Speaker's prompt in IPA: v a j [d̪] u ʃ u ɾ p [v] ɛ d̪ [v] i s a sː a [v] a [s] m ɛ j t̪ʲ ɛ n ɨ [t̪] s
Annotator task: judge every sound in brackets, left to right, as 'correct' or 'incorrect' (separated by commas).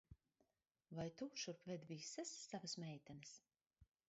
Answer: incorrect, correct, correct, correct, correct, incorrect